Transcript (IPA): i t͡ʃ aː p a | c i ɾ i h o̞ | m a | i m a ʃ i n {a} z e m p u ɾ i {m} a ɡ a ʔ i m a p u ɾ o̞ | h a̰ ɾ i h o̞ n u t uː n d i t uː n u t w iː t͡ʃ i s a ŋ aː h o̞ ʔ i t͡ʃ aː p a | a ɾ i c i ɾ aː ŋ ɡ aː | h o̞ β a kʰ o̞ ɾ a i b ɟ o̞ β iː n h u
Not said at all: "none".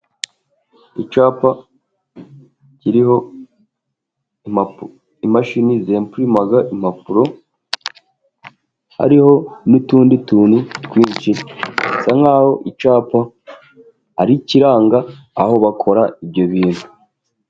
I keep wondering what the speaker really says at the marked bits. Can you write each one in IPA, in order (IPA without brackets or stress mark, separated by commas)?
i, m